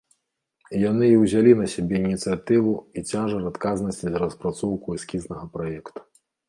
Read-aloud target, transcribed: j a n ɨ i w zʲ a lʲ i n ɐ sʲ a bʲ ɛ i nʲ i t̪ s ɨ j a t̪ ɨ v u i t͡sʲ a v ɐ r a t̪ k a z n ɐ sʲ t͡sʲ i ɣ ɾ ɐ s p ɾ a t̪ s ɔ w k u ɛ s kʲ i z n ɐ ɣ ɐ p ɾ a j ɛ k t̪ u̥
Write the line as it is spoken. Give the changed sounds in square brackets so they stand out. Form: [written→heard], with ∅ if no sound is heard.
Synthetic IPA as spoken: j a n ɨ i w zʲ a lʲ i n ɐ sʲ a bʲ ɛ i nʲ i t̪ s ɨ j a t̪ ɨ v u i t͡sʲ a [v→ʐ] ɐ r a t̪ k a z n ɐ sʲ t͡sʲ i [ɣ→z] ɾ ɐ s p ɾ a t̪ s ɔ w k u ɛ s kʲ i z n ɐ ɣ ɐ p ɾ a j ɛ k t̪ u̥